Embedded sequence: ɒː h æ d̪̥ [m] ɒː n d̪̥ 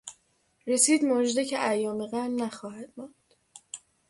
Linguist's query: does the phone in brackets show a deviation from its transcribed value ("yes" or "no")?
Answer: no